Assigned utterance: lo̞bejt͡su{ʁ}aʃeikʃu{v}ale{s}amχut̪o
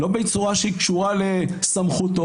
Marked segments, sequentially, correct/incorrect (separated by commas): correct, incorrect, correct